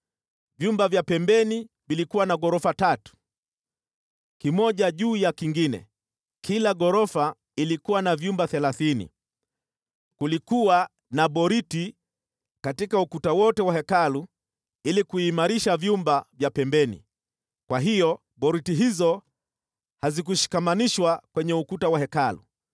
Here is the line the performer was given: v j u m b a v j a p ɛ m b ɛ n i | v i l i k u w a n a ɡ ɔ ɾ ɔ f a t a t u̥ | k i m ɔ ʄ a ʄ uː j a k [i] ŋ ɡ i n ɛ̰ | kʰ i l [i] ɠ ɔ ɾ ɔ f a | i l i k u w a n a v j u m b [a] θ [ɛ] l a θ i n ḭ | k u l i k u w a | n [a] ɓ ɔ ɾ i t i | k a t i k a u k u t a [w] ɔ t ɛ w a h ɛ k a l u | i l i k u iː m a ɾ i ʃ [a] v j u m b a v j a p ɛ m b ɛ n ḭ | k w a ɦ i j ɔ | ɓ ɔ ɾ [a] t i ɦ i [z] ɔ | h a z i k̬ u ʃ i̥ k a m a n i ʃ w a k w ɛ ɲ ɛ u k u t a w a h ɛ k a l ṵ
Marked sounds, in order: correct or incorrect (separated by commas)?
correct, incorrect, correct, correct, correct, correct, correct, incorrect, correct